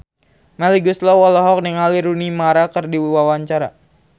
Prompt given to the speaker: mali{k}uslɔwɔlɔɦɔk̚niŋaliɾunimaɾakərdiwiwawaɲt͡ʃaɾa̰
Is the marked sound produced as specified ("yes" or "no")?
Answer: no